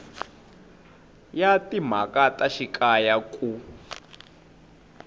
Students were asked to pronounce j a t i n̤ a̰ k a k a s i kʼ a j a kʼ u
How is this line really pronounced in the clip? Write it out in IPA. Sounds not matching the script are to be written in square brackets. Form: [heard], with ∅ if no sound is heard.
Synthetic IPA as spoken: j a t i [m̤] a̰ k a [t] a [ʃ] i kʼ a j a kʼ u